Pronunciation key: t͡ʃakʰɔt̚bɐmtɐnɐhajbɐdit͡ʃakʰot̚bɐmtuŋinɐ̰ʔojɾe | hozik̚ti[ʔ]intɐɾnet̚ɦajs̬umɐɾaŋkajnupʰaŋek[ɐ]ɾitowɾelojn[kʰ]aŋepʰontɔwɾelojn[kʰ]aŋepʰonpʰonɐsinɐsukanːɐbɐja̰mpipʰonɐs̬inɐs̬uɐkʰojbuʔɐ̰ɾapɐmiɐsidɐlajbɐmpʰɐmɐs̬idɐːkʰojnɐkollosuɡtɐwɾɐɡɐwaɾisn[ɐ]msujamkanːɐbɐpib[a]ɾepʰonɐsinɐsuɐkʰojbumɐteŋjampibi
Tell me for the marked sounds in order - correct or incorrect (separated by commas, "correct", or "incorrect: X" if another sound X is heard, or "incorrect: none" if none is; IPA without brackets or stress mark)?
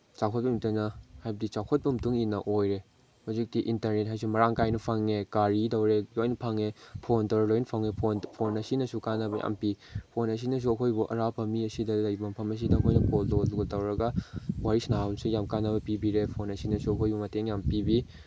correct, incorrect: a, incorrect: pʰ, incorrect: pʰ, incorrect: a, incorrect: i